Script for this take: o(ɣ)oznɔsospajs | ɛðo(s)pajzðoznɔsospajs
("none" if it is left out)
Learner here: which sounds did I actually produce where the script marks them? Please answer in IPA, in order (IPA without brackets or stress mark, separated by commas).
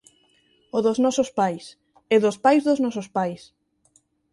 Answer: ð, s